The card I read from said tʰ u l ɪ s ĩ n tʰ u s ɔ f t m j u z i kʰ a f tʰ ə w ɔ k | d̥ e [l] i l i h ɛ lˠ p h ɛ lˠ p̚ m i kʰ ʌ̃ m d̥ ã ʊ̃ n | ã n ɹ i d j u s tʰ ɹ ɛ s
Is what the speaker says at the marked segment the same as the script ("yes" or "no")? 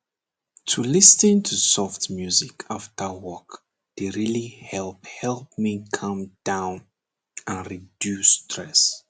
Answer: no